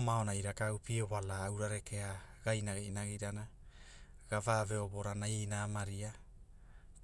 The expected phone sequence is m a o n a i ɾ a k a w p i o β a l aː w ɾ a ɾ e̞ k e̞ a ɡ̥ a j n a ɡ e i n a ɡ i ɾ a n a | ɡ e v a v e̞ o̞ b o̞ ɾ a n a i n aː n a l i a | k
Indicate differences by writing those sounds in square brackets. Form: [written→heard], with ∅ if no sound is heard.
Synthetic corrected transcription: m a o n a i ɾ a k a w p i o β a l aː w ɾ a ɾ e̞ k e̞ a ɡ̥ a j n a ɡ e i n a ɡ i ɾ a n a | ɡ [e→a] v a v e̞ o̞ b o̞ ɾ a n a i n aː [n→m] a [l→ɾ] i a | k